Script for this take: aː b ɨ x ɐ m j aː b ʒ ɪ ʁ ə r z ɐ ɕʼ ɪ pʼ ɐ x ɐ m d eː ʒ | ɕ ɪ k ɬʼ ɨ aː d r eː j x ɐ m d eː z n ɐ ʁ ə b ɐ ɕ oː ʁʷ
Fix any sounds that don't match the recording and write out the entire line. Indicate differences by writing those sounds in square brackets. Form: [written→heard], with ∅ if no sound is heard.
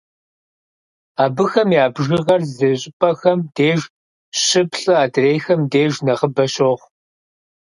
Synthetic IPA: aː b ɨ x ɐ m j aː b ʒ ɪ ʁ [ə→ɐ] r z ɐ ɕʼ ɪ pʼ ɐ x ɐ m d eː ʒ | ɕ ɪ [k→p] ɬʼ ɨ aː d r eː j x ɐ m d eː [z→ʒ] n ɐ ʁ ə b ɐ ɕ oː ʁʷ